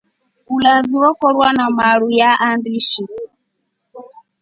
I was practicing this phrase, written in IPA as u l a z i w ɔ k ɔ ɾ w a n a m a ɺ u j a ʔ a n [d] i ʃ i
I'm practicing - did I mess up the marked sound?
no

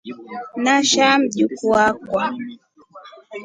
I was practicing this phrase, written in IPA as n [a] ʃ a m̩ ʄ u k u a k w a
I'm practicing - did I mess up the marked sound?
no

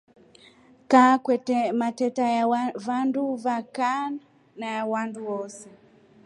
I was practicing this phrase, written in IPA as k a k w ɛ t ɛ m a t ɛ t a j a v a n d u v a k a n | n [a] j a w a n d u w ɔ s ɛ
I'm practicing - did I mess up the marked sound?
no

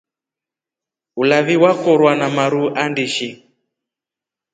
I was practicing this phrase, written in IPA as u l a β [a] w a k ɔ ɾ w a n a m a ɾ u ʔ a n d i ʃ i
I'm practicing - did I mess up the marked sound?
yes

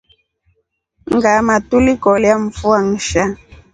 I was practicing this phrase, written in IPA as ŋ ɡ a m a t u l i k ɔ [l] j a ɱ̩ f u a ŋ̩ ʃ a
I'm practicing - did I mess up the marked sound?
no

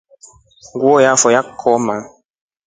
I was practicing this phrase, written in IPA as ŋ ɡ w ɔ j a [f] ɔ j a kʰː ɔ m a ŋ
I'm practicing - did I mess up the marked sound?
no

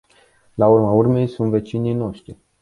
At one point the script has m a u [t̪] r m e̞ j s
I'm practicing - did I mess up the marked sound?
yes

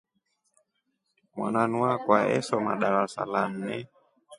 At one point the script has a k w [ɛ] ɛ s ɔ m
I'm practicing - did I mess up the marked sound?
yes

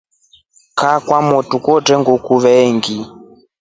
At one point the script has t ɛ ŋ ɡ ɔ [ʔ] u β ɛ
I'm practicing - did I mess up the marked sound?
yes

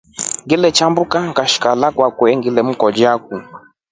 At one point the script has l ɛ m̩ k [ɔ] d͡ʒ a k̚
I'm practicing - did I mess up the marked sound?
no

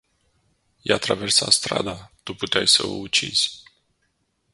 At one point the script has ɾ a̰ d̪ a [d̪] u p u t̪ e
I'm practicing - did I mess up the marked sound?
yes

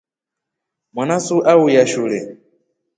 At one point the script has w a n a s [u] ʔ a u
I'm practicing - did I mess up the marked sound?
no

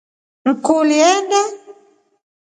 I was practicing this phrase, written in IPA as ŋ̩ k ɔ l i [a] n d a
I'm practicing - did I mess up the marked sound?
yes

